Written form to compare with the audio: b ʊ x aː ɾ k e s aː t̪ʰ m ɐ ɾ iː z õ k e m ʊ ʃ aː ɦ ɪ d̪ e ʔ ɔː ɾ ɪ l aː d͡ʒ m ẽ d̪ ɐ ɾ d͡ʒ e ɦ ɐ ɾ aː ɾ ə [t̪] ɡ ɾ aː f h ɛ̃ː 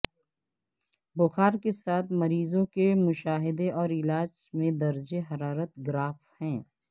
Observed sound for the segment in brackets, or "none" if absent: t̪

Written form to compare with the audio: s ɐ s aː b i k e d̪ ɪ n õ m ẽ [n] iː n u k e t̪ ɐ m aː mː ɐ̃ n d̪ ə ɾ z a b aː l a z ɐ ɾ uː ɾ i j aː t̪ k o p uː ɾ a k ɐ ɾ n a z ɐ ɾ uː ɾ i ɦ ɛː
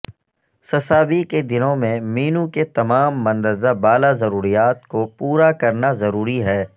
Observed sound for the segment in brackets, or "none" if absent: m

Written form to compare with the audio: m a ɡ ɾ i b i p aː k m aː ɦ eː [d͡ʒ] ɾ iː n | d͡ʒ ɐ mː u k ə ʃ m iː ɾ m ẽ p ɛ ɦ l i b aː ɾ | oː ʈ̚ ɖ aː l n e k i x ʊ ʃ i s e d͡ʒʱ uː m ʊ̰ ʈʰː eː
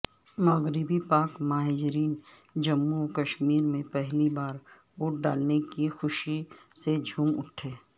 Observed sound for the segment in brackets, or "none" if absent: d͡ʒ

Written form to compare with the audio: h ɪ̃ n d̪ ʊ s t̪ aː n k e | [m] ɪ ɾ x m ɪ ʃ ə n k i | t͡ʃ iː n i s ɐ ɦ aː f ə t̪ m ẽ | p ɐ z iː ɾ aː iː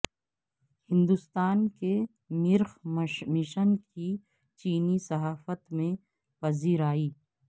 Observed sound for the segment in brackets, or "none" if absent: m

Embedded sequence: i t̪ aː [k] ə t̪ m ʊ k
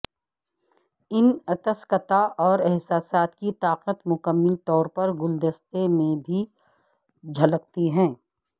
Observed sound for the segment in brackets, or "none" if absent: q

